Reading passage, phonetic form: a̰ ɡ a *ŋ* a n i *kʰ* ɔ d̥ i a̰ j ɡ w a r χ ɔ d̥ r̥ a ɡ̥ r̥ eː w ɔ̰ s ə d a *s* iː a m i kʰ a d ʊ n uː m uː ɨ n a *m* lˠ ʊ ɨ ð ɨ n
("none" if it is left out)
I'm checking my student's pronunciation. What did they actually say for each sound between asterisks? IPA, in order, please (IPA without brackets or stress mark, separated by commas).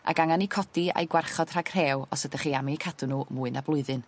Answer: ŋ, kʰ, χ, b